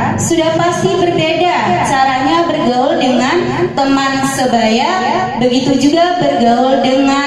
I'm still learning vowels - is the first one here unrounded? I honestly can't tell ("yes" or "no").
no